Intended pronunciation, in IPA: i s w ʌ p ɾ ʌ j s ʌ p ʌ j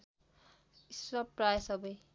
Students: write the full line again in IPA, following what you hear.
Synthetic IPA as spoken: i s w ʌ p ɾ a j s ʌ b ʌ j